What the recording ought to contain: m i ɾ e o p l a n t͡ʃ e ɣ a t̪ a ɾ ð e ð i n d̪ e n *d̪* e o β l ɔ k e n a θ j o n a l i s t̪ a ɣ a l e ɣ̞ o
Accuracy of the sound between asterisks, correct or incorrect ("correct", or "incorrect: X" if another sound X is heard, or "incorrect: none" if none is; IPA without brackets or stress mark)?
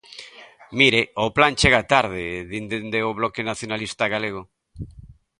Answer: correct